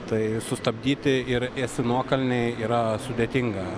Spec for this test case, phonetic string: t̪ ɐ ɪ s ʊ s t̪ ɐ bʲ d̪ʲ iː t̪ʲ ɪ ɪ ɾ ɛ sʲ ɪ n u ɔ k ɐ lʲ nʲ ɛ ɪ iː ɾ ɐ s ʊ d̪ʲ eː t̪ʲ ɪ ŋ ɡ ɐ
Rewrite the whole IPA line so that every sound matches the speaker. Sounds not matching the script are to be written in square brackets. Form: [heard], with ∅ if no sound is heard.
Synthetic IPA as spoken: t̪ ɐ ɪ s ʊ s t̪ ɐ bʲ d̪ʲ iː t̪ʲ ɪ ɪ ɾ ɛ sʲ ɪ n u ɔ k ɐ lʲ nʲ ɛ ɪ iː ɾ ɐ s ʊ d̪ʲ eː t̪ʲ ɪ ŋ ɡ ɐ

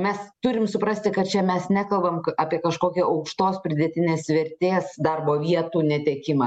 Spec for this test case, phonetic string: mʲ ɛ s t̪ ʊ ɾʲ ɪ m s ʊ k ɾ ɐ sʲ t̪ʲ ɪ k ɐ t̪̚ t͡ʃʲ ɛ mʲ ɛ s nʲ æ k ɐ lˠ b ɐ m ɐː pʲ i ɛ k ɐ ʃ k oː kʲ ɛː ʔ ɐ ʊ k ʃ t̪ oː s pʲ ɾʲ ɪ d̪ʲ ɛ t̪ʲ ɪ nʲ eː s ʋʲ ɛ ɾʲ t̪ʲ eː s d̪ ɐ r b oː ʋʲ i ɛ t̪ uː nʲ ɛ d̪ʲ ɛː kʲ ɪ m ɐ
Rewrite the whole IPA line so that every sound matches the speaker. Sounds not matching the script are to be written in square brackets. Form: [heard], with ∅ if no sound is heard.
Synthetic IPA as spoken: mʲ ɛ s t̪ ʊ ɾʲ ɪ m s ʊ [p] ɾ ɐ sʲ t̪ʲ ɪ k ɐ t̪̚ t͡ʃʲ ɛ mʲ ɛ s nʲ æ k ɐ lˠ b ɐ m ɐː pʲ i ɛ k ɐ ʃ k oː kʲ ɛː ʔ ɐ ʊ k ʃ t̪ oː s pʲ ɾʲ ɪ d̪ʲ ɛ t̪ʲ ɪ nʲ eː s ʋʲ ɛ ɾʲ t̪ʲ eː s d̪ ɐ r b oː ʋʲ i ɛ t̪ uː nʲ ɛ [t̪ʲ] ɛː kʲ ɪ m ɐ

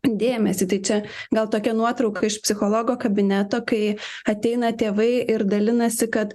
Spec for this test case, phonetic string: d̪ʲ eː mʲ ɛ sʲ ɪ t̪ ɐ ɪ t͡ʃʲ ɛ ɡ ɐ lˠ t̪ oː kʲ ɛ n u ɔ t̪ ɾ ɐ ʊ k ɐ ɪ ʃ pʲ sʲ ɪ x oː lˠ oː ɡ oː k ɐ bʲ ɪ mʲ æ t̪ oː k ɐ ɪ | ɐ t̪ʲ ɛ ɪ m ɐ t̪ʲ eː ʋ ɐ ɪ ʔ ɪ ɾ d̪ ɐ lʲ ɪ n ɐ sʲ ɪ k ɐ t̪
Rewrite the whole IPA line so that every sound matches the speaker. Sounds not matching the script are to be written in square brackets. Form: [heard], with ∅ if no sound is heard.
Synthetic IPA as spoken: d̪ʲ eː mʲ ɛ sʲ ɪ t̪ ɐ ɪ t͡ʃʲ ɛ ɡ ɐ lˠ t̪ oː kʲ ɛ n u ɔ t̪ ɾ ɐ ʊ k ɐ ɪ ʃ pʲ sʲ ɪ x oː lˠ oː ɡ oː k ɐ bʲ ɪ [nʲ] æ t̪ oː k ɐ ɪ | ɐ t̪ʲ ɛ ɪ [n] ɐ t̪ʲ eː ʋ ɐ ɪ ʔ ɪ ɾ d̪ ɐ lʲ ɪ n ɐ sʲ ɪ k ɐ t̪

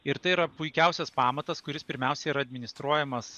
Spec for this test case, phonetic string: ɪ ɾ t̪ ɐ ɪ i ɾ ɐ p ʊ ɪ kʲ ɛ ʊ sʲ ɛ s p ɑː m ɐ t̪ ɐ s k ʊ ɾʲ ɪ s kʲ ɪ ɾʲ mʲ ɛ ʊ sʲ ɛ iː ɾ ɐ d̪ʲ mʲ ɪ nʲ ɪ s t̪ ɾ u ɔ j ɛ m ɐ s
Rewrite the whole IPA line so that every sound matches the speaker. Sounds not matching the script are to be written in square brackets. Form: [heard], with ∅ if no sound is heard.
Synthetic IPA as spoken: ɪ ɾ t̪ ɐ ɪ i ɾ ɐ p ʊ ɪ kʲ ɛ ʊ sʲ ɛ s p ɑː m ɐ t̪ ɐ s k ʊ ɾʲ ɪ s [pʲ] ɪ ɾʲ mʲ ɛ ʊ sʲ ɛ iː ɾ ɐ d̪ʲ mʲ ɪ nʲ ɪ s t̪ ɾ u ɔ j ɛ m ɐ s

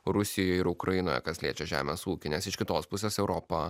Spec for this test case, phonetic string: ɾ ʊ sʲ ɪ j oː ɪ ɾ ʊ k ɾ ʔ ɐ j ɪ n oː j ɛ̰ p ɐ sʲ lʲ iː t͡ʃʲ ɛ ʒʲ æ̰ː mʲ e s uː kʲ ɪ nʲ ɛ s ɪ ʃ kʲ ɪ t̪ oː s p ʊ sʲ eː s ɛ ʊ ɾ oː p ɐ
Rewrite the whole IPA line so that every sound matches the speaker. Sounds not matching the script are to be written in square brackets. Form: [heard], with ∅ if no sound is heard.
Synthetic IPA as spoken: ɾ ʊ sʲ ɪ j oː ɪ ɾ ʊ k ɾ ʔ ɐ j ɪ n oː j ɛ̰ [k] ɐ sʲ lʲ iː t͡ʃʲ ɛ ʒʲ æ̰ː mʲ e s uː kʲ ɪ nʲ ɛ s ɪ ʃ kʲ ɪ t̪ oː s p ʊ sʲ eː s ɛ ʊ ɾ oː p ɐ

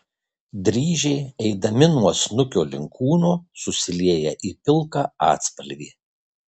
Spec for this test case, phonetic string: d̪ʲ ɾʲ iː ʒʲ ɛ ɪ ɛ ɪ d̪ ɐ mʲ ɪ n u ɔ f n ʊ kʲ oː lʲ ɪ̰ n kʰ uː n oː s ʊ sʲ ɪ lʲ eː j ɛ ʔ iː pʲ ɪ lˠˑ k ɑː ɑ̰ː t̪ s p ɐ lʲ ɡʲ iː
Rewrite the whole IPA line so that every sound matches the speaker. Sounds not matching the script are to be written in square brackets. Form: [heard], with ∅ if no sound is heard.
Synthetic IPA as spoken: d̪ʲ ɾʲ iː ʒʲ ɛ ɪ ɛ ɪ d̪ ɐ mʲ ɪ n u ɔ [s] n ʊ kʲ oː lʲ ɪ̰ [ŋ] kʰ uː n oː s ʊ sʲ ɪ lʲ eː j ɛ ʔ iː pʲ ɪ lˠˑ k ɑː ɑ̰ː t̪ s p ɐ lʲ ɡʲ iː

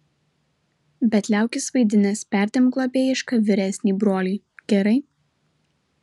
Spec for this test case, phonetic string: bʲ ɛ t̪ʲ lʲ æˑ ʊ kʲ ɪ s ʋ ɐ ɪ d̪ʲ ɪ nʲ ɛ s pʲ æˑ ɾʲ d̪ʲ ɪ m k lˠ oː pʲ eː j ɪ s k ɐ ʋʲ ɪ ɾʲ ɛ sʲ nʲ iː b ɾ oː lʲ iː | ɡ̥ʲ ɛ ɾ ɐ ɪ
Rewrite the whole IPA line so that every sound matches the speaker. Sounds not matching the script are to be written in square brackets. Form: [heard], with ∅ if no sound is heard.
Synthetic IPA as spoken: bʲ ɛ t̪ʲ lʲ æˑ ʊ kʲ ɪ s ʋ ɐ ɪ d̪ʲ ɪ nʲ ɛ s pʲ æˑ ɾʲ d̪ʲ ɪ m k lˠ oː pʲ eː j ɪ [ʃ] k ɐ ʋʲ ɪ ɾʲ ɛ sʲ nʲ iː b ɾ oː lʲ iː | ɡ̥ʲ ɛ ɾ ɐ ɪ

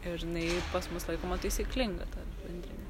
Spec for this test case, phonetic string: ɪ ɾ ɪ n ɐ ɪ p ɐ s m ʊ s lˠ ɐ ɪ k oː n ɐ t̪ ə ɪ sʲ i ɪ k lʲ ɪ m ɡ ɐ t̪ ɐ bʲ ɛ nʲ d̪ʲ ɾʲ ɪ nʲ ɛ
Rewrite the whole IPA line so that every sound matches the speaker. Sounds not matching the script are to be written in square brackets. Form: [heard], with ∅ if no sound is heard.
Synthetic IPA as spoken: ɪ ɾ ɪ n ɐ ɪ p ɐ s m ʊ s lˠ ɐ ɪ k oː [m] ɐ t̪ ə ɪ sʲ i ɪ k lʲ ɪ [ŋ] ɡ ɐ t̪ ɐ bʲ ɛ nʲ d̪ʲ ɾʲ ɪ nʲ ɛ

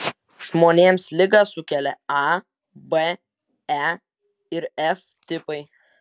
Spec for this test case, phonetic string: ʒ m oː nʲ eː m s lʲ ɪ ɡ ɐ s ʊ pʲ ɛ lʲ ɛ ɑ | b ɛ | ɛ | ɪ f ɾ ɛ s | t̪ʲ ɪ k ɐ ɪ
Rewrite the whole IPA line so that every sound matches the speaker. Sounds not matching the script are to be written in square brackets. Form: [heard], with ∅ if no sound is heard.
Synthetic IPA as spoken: ʒ m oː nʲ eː m s lʲ ɪ ɡ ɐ s ʊ [kʲ] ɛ lʲ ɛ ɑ | b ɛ | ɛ | ɪ [∅] ɾ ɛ [f] | t̪ʲ ɪ [p] ɐ ɪ

